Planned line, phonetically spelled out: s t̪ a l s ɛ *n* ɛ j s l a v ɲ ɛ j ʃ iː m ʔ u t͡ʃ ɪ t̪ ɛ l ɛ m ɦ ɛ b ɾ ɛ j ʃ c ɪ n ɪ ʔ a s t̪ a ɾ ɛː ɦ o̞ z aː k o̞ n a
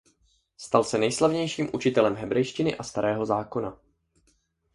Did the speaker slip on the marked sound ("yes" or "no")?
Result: no